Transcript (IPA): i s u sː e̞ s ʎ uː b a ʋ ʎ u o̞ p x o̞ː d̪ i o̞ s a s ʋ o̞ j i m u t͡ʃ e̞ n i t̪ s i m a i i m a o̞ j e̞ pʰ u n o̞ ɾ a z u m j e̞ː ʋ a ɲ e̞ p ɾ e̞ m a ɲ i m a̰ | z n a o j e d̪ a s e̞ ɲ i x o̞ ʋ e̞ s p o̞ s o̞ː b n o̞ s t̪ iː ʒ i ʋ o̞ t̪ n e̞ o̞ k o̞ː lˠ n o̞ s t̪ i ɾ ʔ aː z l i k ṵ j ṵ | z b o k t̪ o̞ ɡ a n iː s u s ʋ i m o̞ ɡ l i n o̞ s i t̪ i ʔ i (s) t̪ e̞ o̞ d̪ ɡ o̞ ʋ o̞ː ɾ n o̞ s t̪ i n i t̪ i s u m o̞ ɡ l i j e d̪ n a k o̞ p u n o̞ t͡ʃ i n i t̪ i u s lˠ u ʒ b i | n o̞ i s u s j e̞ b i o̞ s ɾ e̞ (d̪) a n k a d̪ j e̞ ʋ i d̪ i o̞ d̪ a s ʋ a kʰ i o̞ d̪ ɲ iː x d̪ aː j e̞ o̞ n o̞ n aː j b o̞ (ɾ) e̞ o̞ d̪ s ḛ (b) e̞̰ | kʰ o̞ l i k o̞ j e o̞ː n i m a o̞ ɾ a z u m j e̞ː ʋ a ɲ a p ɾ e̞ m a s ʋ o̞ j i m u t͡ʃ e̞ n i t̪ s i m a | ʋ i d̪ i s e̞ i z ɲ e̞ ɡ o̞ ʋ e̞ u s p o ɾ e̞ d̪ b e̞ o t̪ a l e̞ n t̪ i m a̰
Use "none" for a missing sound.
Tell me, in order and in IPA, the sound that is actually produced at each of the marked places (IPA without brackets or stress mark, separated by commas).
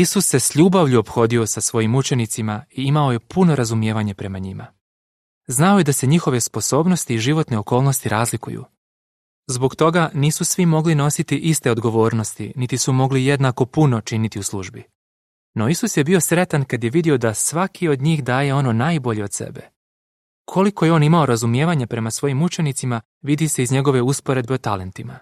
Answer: s, t̪, ʎ, b